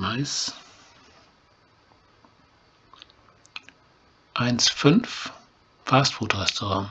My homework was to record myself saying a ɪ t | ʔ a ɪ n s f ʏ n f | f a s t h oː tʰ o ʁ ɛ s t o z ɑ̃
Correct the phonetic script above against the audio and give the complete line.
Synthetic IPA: a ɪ s | ʔ a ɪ n s f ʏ n f | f a s t f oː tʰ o ʁ ɛ s t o ʁ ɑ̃